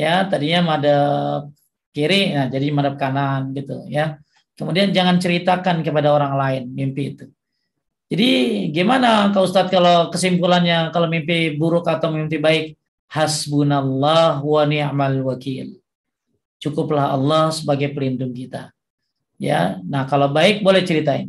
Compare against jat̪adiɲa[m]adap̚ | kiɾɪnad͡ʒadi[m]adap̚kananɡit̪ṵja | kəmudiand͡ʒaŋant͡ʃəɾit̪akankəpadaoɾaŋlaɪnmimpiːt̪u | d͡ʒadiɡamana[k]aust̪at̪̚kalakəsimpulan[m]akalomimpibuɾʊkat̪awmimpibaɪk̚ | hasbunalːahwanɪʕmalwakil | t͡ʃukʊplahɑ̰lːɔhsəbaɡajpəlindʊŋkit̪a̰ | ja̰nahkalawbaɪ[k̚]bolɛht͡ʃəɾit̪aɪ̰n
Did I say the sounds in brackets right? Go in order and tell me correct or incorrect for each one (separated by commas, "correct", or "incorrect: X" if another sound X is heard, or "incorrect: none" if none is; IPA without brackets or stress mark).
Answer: correct, correct, correct, incorrect: ɲ, correct